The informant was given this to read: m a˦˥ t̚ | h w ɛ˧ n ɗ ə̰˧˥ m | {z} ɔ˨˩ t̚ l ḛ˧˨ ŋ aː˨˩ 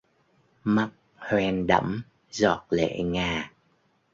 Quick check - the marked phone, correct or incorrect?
correct